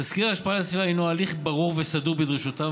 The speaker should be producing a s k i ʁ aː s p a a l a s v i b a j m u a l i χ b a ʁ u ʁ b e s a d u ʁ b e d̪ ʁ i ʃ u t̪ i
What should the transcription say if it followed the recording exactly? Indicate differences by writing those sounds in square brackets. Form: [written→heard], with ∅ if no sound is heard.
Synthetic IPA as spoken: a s k i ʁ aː [s→ʃ] p a a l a s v i [b→v] a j [m→n] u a l i χ b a ʁ u ʁ [b→v] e s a d u ʁ b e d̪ ʁ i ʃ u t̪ [i→a]

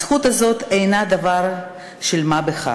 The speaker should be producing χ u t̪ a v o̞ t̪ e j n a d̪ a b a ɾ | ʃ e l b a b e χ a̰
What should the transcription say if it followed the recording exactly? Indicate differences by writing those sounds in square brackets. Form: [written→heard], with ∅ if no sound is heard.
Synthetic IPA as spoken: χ u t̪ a [v→z] o̞ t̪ e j n a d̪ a [b→v] a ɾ | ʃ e l [b→m] a b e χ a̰

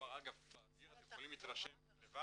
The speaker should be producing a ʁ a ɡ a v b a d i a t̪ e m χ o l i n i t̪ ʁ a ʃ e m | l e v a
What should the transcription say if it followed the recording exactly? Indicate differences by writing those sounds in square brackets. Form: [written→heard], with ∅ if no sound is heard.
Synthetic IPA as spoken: a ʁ a ɡ a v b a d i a t̪ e m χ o l i [n→m] i t̪ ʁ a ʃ e m | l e v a

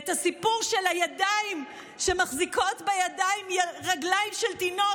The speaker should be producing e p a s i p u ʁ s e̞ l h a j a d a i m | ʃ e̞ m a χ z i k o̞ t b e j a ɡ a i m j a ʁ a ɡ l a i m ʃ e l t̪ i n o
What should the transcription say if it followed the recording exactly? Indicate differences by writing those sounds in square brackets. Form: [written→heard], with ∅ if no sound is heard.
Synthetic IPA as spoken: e [p→t] a s i p u ʁ [s→ʃ] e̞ l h a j a d a i m | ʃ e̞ m a χ z i k o̞ t b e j a [ɡ→d] a i m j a ʁ a ɡ l a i m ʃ e l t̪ i n o

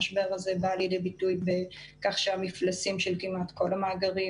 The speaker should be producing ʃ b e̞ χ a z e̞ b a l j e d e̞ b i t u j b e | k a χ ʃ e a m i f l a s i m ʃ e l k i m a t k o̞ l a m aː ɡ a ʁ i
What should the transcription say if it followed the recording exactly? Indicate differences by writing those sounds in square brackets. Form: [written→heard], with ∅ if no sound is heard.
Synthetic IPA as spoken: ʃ b e̞ [χ→ʁ] a z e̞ b a l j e d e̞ b i t u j b e | k a χ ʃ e a m i f l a s i m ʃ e l k i m a t k o̞ l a m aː ɡ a ʁ i

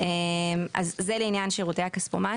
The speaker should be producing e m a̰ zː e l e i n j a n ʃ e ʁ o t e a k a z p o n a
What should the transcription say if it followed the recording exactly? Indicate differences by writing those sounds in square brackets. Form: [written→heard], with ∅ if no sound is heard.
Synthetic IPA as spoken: e m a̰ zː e l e i n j a n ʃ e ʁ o t e a k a [z→s] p o [n→m] a

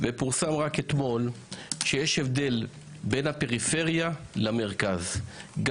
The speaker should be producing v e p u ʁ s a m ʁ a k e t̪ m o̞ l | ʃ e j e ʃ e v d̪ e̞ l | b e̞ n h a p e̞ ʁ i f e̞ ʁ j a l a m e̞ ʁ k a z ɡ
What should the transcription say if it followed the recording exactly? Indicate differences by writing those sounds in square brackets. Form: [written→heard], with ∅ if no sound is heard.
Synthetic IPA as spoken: v e p u ʁ s a m ʁ a k e t̪ m o̞ l | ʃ e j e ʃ e v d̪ e̞ l | b e̞ n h a p e̞ ʁ i f e̞ ʁ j a l a m e̞ ʁ k a z ɡ

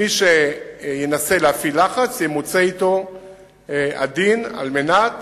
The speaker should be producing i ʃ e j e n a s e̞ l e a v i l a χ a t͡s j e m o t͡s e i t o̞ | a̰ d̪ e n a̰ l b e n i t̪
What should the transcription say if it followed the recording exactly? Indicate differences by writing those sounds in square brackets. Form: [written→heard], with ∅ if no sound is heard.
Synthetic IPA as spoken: i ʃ e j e n a s e̞ l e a [v→f] i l a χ a t͡s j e m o t͡s e i t o̞ | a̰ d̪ [e→i] n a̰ l [b→m] e n [i→a] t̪

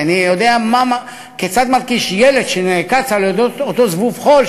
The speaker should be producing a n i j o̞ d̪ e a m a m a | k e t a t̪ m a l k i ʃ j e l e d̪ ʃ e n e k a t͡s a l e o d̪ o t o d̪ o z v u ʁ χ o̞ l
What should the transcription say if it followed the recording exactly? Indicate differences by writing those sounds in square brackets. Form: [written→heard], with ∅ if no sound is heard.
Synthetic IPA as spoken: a n i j o̞ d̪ e a m a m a | k e [t→t͡s] a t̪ m a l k i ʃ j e l e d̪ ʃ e n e k a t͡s a l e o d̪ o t o [d̪→t̪] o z v u [ʁ→v] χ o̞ l

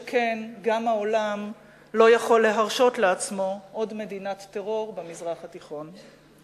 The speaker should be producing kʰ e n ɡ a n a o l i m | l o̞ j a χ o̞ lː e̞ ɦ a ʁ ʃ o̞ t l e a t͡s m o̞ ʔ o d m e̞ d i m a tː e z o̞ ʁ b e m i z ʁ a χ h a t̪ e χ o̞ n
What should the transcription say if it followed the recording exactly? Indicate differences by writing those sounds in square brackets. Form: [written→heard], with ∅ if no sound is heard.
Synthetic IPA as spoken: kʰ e n ɡ a [n→m] a o l [i→a] m | l o̞ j a χ o̞ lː e̞ ɦ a ʁ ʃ o̞ t l e a t͡s m o̞ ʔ o d m e̞ d i [m→n] a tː e [z→ʁ] o̞ ʁ b e m i z ʁ a χ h a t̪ [e→i] χ o̞ n

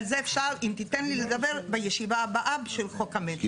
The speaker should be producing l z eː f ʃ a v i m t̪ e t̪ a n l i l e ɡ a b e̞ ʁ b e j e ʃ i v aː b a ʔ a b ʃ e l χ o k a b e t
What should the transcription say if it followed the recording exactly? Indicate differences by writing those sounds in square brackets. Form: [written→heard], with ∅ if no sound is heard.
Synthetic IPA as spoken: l z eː f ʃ a [v→ʁ] i m t̪ [e→i] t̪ [a→e] n l i l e ɡ a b e̞ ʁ b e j e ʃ i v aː b a ʔ a b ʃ e l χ o k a [b→m] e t

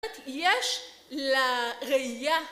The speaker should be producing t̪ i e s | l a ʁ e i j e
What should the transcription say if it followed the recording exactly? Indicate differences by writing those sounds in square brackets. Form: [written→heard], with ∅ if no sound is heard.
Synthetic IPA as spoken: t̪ [i→j] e [s→ʃ] | l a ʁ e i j [e→a]

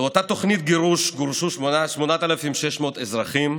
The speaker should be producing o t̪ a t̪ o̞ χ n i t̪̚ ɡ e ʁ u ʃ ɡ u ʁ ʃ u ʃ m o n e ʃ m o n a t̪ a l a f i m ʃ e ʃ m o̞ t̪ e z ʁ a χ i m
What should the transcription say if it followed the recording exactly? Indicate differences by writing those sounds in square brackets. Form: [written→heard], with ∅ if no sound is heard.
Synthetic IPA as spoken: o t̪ a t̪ o̞ χ n i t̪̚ ɡ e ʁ u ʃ ɡ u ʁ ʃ u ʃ m o n [e→a] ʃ m o n a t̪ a l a f i m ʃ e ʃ m o̞ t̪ e z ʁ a χ i m

